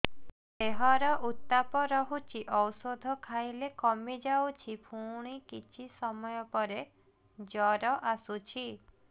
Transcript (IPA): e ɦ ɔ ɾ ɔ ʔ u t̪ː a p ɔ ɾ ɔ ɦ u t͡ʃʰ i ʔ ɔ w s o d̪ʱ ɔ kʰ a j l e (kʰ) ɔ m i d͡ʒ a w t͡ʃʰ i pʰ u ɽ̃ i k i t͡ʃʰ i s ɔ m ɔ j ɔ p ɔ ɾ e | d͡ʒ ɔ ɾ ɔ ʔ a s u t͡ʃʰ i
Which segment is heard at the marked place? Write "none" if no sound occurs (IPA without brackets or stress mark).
k